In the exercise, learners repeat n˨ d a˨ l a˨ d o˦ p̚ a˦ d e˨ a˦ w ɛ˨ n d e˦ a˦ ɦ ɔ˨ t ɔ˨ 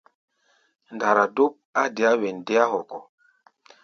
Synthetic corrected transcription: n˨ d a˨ ɾ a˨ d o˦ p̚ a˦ d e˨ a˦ w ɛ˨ n d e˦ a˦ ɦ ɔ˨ k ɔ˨